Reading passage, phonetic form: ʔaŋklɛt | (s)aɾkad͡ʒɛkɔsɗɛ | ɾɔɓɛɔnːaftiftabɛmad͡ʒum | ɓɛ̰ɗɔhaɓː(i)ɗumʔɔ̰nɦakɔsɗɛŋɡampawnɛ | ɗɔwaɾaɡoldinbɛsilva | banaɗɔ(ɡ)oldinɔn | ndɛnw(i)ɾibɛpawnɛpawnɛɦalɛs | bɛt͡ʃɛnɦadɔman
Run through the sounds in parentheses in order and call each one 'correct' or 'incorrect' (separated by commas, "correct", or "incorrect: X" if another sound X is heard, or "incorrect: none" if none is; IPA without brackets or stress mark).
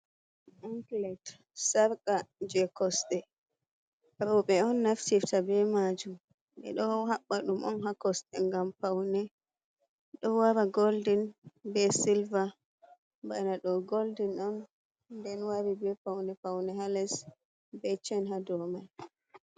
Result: correct, incorrect: a, correct, incorrect: a